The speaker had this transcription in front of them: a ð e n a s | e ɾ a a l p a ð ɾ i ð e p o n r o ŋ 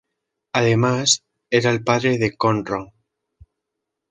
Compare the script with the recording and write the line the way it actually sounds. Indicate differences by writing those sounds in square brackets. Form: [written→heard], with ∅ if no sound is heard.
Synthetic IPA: a ð e [n→m] a s | e ɾ a [a→e] l p a ð ɾ [i→e] ð e [p→k] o n r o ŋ